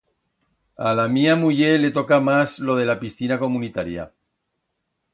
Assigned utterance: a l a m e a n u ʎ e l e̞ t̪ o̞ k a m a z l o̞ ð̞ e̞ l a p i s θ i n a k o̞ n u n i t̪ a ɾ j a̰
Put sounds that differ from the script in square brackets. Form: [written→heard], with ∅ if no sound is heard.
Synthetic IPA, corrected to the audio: a l a m [e→i] a [n→m] u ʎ e l e̞ t̪ o̞ k a m a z l o̞ ð̞ e̞ l a p i s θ i n a k o̞ [n→m] u n i t̪ a ɾ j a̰